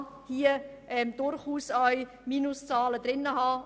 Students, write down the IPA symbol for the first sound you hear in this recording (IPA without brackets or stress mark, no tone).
h